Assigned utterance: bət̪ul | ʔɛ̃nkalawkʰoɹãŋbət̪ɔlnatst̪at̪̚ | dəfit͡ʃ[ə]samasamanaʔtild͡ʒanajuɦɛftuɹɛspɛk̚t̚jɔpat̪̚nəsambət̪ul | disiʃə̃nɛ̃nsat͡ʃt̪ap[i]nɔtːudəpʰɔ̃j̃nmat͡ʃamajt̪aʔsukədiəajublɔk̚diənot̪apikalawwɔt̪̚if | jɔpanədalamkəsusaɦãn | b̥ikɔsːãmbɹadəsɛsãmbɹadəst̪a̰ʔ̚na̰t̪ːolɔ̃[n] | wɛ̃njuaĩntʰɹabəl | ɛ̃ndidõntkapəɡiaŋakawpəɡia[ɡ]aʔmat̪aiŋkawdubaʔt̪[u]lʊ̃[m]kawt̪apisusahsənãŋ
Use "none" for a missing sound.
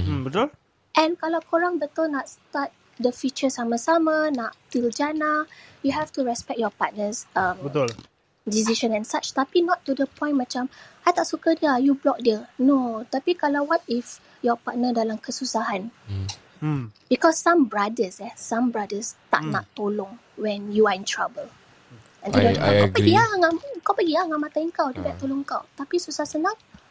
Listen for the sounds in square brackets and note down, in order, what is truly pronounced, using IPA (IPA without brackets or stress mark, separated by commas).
ə, i, ŋ, ŋ, o, ŋ